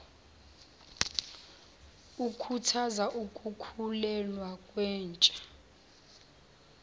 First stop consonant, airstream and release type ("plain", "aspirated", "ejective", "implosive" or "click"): aspirated